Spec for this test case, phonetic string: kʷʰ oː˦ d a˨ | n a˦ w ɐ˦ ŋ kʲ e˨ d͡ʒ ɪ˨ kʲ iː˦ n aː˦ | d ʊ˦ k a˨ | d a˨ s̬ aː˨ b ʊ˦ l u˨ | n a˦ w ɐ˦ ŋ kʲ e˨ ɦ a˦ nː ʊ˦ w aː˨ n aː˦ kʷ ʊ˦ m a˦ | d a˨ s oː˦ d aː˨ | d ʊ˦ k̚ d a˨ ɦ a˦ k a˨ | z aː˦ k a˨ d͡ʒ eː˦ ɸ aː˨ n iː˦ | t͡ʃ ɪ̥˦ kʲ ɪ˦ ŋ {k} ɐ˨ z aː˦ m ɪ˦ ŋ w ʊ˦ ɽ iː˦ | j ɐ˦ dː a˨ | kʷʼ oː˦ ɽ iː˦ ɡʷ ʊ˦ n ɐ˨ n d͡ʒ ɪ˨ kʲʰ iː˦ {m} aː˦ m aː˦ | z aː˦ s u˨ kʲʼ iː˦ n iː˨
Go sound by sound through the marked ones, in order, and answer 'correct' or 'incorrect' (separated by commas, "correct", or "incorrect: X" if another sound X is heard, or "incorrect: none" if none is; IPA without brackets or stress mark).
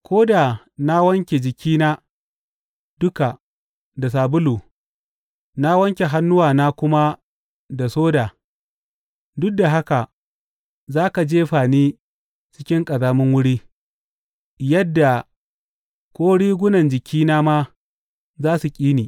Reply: incorrect: kʼ, incorrect: n